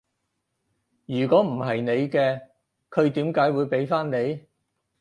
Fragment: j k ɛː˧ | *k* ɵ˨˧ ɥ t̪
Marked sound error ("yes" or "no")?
yes